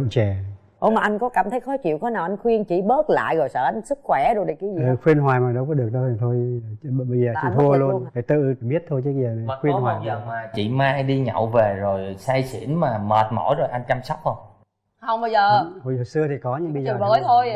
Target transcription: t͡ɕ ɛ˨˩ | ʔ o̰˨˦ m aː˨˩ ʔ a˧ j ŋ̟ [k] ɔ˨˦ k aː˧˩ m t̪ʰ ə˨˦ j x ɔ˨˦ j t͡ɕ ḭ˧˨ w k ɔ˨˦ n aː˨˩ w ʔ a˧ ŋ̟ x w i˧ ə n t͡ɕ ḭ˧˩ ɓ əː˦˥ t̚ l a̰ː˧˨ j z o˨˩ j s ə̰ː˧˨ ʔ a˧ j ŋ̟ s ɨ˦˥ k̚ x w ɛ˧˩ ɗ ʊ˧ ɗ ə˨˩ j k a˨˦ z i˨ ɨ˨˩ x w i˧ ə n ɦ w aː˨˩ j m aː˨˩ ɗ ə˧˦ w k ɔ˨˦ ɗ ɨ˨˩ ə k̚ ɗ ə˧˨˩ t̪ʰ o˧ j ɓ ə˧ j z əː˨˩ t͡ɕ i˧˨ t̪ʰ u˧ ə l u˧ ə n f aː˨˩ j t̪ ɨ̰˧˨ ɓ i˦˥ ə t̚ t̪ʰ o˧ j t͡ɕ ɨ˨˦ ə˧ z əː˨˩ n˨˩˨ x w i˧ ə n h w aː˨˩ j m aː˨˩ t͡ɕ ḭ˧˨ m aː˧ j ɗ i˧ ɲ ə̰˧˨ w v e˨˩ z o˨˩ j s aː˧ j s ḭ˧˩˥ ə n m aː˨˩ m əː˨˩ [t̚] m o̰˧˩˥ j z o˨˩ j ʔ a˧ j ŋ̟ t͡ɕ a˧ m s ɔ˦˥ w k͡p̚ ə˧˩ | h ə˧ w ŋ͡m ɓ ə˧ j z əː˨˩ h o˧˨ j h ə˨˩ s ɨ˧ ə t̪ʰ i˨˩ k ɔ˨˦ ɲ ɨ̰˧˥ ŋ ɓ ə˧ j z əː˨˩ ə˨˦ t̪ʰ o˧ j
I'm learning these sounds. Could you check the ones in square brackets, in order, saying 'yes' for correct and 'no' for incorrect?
yes, yes

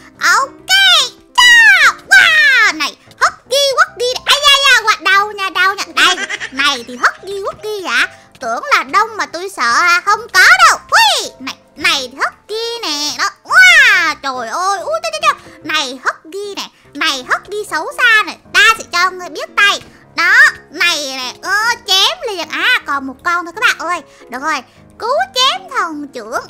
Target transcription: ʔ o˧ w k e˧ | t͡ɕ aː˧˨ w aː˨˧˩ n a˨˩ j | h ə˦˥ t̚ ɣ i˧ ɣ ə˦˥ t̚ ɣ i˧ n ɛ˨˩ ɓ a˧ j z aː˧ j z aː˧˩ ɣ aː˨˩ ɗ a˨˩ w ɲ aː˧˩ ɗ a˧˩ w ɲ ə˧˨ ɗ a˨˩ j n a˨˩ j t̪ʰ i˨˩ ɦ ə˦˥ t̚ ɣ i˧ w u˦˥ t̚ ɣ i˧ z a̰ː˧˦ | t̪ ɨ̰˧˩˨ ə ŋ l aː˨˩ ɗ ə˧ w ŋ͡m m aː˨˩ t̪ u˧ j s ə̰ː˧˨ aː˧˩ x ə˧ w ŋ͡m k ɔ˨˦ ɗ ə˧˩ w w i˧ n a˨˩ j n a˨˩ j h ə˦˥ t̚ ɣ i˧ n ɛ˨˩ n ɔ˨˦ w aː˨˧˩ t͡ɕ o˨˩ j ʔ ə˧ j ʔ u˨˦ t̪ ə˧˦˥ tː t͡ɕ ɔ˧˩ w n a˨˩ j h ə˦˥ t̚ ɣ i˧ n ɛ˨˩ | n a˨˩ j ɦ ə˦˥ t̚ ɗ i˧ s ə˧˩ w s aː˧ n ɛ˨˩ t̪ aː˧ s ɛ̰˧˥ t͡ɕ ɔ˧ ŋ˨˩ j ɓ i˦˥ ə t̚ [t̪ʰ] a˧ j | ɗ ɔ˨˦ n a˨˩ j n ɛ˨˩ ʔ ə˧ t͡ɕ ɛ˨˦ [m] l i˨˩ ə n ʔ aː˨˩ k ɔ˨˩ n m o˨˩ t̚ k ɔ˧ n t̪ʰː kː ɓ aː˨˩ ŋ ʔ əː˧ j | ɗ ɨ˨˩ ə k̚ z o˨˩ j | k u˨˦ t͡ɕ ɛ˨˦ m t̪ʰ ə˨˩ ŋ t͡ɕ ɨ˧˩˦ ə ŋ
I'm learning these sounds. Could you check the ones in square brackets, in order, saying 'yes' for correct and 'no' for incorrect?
no, yes

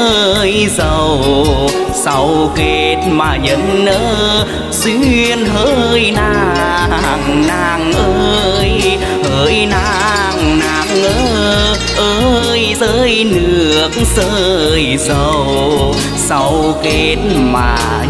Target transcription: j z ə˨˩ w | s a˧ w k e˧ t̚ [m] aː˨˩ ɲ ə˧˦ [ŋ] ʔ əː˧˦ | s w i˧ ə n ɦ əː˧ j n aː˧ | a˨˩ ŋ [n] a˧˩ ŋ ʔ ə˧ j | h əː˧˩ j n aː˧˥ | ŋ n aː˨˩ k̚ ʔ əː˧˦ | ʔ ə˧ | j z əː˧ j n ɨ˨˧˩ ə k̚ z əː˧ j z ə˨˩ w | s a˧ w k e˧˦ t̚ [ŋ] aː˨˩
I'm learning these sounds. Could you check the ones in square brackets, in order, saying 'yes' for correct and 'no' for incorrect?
yes, no, yes, no

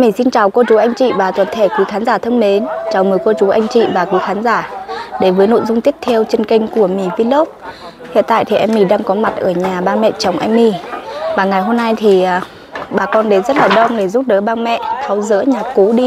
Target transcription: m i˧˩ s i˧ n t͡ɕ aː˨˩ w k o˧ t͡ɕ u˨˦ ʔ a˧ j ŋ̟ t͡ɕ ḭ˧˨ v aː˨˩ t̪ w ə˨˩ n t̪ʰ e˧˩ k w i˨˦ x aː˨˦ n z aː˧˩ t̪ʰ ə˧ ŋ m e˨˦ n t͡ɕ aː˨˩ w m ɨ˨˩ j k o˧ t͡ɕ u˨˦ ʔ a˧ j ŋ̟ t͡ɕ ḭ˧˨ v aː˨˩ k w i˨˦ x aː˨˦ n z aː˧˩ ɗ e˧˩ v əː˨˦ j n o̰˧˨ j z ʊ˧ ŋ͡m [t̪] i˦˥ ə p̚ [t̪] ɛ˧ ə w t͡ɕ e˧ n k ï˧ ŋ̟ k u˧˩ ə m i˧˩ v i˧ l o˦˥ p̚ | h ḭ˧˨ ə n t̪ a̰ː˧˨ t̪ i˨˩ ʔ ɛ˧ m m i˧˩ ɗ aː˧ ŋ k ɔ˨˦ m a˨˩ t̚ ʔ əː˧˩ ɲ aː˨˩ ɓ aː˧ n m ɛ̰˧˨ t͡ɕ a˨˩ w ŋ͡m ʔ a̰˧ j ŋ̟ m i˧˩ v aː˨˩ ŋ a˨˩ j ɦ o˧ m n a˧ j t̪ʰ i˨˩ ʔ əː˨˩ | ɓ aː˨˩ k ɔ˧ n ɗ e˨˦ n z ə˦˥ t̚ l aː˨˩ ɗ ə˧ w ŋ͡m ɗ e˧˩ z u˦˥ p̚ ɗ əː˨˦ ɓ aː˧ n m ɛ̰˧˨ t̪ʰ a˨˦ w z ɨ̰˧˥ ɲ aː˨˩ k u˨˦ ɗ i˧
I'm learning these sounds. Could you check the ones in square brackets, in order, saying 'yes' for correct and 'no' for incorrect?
yes, no

